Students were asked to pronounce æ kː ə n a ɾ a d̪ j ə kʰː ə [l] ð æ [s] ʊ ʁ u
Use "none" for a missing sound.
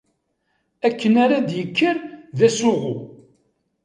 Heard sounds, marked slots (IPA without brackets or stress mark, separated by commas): ɾ, s